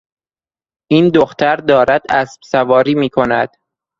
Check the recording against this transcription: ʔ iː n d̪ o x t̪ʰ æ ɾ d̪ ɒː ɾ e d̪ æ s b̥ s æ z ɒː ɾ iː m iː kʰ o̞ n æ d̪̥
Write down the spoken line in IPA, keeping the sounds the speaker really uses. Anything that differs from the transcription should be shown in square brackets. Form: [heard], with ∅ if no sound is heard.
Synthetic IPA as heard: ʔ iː n d̪ o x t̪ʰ æ ɾ d̪ ɒː ɾ [æ] d̪ æ s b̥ s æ [v] ɒː ɾ iː m iː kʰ o̞ n æ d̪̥